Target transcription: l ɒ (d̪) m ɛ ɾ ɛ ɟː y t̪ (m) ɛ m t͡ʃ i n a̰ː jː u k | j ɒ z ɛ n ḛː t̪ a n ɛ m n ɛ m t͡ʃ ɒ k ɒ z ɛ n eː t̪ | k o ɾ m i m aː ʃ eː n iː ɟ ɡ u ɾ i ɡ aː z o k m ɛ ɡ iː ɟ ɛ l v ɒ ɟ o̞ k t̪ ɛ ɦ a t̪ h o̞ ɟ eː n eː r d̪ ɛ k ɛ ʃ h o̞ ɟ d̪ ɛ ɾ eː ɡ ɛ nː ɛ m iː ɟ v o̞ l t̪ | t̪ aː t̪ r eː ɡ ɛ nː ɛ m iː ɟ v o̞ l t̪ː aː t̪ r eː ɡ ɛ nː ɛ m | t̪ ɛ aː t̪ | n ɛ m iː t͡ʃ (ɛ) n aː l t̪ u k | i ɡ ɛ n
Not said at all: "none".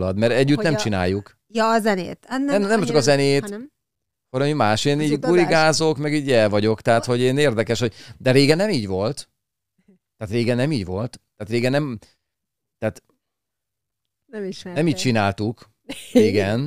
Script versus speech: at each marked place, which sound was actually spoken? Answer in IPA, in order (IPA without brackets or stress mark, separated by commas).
d̪, n, i